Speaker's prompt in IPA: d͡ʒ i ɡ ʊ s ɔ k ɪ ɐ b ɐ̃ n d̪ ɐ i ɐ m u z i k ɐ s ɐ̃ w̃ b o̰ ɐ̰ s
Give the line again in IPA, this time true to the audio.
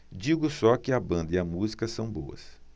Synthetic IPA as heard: d͡ʒ i ɡ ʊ s ɔ k ɪ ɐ b ɐ̃ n d̪ ɐ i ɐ m u z i k ɐ s ɐ̃ w̃ b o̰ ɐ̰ s